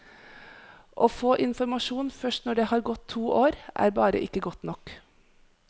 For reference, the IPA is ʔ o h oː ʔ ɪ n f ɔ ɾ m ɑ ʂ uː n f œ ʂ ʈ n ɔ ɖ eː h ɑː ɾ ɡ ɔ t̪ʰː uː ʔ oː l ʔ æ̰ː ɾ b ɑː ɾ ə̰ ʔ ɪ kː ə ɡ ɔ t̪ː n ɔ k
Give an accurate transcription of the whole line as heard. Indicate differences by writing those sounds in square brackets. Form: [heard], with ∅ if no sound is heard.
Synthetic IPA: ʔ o [f] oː ʔ ɪ n f ɔ ɾ m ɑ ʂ uː n f œ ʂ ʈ n ɔ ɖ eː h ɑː ɾ ɡ ɔ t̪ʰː uː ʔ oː [ɾ] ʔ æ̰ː ɾ b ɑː ɾ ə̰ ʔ ɪ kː ə ɡ ɔ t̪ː n ɔ k